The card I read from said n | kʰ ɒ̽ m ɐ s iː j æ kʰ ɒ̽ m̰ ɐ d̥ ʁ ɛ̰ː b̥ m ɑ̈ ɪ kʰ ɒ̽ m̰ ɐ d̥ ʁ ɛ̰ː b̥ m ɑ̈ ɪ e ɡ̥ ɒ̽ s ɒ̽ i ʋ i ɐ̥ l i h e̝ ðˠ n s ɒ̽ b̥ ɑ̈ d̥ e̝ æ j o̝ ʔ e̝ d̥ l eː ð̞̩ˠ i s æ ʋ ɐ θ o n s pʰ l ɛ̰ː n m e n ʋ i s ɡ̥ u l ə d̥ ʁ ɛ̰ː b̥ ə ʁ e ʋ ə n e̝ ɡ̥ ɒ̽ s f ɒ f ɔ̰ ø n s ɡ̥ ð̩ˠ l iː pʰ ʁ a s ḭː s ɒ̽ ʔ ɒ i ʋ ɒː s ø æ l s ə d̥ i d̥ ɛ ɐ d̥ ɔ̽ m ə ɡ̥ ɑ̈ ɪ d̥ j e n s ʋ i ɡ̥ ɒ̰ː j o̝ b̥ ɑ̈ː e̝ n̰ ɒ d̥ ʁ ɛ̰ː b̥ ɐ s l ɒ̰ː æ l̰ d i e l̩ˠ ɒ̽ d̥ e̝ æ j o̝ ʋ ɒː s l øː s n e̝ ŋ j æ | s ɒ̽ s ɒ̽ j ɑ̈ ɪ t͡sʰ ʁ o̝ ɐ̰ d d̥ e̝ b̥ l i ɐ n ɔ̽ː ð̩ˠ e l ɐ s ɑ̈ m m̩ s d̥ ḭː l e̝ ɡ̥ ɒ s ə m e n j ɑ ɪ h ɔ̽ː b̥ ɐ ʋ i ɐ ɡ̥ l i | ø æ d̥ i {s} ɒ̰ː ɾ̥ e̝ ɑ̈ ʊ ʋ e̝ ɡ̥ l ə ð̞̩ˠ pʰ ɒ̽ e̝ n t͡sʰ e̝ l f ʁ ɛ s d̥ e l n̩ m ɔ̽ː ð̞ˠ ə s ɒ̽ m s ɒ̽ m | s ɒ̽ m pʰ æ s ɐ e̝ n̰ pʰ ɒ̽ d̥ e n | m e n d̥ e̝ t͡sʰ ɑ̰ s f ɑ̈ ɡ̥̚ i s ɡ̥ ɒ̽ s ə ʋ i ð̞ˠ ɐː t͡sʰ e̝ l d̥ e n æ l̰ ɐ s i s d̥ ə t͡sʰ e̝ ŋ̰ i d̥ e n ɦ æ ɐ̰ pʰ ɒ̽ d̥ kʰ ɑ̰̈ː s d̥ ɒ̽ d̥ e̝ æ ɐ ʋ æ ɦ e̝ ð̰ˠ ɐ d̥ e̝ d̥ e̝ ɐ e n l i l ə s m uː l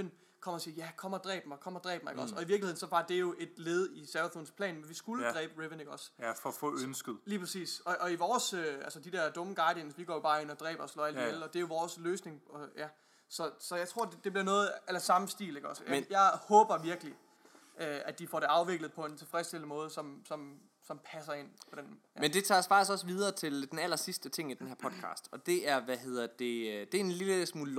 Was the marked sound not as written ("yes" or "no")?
yes